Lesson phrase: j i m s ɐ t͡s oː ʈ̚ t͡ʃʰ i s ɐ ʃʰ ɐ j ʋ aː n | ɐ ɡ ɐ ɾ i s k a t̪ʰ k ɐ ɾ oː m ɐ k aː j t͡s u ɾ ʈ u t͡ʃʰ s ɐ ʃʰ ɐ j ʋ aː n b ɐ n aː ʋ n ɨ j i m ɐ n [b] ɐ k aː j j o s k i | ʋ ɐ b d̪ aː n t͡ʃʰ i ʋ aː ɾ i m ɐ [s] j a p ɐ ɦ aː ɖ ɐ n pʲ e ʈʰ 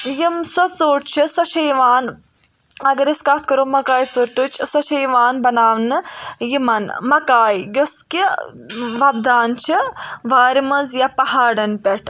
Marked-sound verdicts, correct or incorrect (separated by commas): incorrect, incorrect